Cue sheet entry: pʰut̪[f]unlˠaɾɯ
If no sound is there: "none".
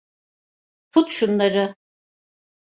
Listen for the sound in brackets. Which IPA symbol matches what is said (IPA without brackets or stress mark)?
ʃ